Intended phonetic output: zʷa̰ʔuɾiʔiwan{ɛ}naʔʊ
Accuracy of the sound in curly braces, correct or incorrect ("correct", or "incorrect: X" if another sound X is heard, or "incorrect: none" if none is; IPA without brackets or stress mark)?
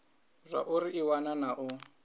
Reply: incorrect: a